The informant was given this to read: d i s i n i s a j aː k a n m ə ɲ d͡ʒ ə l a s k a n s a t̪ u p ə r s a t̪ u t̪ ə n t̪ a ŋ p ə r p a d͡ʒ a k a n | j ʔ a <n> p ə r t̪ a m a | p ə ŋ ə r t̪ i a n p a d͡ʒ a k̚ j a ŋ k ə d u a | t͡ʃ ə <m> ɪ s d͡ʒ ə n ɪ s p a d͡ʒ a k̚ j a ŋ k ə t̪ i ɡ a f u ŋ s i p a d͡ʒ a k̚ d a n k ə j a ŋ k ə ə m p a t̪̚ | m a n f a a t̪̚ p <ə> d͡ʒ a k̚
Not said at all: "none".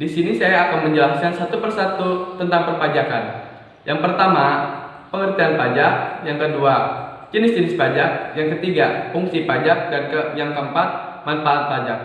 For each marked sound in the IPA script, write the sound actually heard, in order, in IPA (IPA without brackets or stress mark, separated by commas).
ŋ, n, a